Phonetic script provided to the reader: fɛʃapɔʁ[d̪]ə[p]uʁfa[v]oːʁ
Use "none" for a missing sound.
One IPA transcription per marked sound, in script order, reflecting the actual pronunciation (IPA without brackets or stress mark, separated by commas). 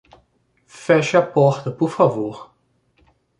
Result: t̪, p, v